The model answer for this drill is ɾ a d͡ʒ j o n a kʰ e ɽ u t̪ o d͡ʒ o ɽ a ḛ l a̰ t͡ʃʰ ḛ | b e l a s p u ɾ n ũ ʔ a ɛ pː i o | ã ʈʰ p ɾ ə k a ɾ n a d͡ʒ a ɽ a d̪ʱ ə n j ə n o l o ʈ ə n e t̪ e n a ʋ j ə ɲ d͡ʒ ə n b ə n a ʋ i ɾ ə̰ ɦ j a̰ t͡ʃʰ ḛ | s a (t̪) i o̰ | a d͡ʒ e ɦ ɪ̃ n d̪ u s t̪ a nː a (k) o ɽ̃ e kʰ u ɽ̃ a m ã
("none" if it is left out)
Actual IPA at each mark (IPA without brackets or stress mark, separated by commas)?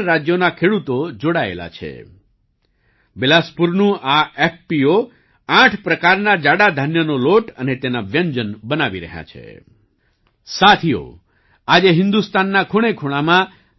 t̪ʰ, kʰ